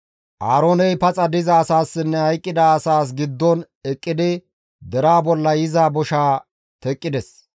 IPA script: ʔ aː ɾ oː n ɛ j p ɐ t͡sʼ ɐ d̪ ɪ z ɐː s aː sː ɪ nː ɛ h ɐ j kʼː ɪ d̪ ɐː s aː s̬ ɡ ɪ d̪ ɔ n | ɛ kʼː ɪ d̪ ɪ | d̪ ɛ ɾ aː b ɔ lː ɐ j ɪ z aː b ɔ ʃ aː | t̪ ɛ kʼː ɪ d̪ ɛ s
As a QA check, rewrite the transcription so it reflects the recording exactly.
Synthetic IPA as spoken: ʔ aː ɾ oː n ɛ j p ɐ t͡sʼ ɐ d̪ ɪ z ɐː s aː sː ɪ nː ɛ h ɐ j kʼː ɪ d̪ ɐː s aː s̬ ɡ ɪ d̪ː ɔ n | ɛ kʼː ɪ d̪ ɪ | d̪ ɛ ɾ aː b ɔ lː ɐ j ɪ z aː b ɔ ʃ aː | t̪ ɛ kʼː ɪ d̪ ɛ s

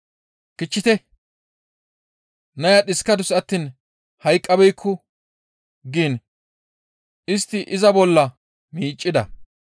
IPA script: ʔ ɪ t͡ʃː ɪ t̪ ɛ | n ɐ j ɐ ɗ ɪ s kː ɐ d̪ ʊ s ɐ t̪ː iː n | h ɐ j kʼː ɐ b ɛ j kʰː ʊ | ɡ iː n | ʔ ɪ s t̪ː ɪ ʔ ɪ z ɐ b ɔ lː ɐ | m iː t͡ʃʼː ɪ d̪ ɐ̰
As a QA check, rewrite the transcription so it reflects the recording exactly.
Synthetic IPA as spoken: k ɪ t͡ʃː ɪ t̪ ɛ | n ɐ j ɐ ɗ ɪ s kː ɐ d̪ ʊ s ɐ t̪ː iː n | h ɐ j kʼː ɐ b ɛ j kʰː ʊ | ɡ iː n | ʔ ɪ s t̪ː ɪ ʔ ɪ z ɐ b ɔ lː ɐ | m iː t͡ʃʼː ɪ d̪ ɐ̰

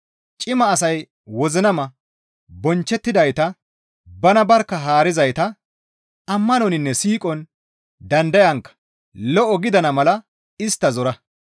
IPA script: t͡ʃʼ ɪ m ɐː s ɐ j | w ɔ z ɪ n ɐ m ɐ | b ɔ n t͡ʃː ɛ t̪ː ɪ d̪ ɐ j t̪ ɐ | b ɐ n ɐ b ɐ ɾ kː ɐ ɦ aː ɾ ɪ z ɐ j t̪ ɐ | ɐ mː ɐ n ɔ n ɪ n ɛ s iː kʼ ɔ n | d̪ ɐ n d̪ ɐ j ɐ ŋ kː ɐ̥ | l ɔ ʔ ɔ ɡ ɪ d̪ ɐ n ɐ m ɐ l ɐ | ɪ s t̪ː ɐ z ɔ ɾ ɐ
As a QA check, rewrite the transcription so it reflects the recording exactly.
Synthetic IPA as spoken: t͡ʃʼ ɪ m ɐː s ɐ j | w ɔ z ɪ n ɐ m ɐ | b ɔ n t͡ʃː ɛ t̪ː ɪ d̪ ɐ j t̪ ɐ | b ɐ n ɐ b ɐ ɾ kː ɐ ɦ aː ɾ ɪ z ɐ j t̪ ɐ | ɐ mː ɐ n ɔ n ɪ nː ɛ s iː kʼ ɔ n | d̪ ɐ n d̪ ɐ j ɐ ŋ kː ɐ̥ | l ɔ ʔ ɔ ɡ ɪ d̪ ɐ n ɐ m ɐ l ɐ | ɪ s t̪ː ɐ z ɔ ɾ ɐ

